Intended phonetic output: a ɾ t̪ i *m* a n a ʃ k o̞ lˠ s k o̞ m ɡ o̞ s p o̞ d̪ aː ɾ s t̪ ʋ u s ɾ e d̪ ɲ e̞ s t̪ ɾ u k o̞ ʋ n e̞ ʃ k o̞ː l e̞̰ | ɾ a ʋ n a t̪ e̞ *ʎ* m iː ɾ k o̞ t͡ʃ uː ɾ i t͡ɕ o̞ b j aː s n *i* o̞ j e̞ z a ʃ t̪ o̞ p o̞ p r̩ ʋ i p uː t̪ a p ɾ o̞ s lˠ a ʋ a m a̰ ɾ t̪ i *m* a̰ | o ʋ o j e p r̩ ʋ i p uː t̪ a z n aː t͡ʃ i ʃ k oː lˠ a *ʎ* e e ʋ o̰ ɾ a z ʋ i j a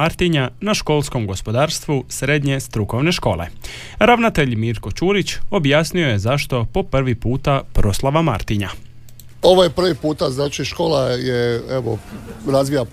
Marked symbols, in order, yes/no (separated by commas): no, yes, yes, no, no